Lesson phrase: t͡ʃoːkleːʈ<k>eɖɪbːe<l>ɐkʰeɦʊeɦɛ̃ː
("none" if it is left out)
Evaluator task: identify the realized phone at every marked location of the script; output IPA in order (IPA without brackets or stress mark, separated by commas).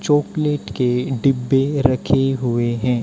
k, ɾ